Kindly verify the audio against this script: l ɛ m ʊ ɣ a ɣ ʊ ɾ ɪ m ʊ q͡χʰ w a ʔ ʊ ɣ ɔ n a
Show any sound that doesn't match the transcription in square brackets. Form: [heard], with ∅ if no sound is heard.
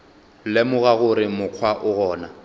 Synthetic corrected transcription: l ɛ m ʊ ɣ a ɣ ʊ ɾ ɪ m ʊ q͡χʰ w a ʔ ʊ ɣ [ɔː] n a